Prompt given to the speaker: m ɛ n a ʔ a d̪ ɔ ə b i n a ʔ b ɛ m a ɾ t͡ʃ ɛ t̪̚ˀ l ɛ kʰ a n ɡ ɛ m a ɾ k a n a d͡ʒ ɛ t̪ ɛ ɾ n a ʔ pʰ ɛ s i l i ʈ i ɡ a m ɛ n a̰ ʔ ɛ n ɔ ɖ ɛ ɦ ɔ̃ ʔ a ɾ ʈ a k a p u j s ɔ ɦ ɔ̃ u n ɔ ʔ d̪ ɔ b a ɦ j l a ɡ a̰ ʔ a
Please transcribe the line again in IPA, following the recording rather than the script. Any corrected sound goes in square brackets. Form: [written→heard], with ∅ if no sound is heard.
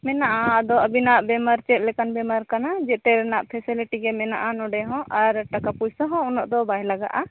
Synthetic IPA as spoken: m ɛ n a ʔ a d̪ ɔ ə b i n a ʔ b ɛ m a ɾ t͡ʃ ɛ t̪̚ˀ l ɛ [kʰ→k] a n [ɡ→b] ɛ m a ɾ k a n a d͡ʒ ɛ t̪ ɛ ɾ n a ʔ pʰ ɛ s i l i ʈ i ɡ [a→ɛ] m ɛ n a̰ ʔ [ɛ→a] n ɔ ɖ ɛ ɦ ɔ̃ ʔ a ɾ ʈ a k a p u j s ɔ ɦ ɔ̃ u n ɔ ʔ d̪ ɔ b a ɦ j l a ɡ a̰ ʔ a